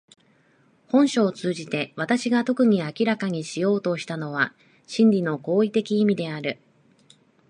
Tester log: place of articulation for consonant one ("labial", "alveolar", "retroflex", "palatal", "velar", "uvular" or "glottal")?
glottal